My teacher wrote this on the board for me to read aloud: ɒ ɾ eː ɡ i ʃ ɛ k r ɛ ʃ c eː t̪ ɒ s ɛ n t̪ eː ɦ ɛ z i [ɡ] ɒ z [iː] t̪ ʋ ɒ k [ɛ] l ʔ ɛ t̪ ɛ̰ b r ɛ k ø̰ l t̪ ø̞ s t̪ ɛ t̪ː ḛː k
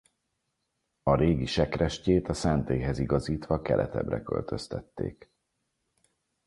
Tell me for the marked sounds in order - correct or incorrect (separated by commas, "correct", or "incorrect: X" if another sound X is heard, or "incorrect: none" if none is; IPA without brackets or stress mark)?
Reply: correct, correct, correct